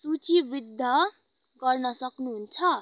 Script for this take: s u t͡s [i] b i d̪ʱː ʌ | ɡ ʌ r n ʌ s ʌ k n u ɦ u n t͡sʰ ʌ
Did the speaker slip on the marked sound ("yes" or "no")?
no